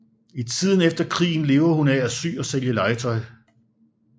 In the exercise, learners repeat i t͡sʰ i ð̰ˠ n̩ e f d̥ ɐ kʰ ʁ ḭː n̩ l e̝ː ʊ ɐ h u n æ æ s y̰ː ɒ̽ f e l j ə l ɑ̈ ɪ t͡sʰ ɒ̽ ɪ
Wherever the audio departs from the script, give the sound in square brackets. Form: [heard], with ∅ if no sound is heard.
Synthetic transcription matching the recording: i t͡sʰ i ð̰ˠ n̩ e f d̥ ɐ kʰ ʁ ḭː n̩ l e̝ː ʊ ɐ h u n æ æ s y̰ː ɒ̽ [s] e l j ə l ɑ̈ ɪ t͡sʰ ɒ̽ ɪ